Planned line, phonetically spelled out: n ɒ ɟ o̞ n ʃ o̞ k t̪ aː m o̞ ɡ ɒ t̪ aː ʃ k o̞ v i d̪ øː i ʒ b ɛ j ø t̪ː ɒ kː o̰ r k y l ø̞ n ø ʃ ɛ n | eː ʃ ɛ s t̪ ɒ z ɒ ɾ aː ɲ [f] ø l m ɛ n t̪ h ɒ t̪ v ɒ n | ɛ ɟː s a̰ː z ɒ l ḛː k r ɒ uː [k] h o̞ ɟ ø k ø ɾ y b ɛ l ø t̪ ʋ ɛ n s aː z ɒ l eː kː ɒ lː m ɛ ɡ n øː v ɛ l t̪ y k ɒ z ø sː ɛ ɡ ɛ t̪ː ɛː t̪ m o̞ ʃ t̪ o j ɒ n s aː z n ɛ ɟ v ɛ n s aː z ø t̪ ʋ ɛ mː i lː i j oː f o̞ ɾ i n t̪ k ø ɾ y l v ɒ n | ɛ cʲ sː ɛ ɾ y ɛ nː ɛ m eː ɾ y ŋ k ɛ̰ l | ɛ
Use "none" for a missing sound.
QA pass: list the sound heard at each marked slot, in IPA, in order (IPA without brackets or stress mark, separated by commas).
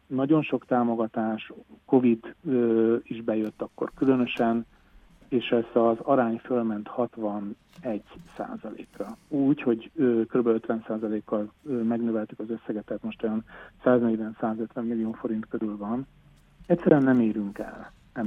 f, c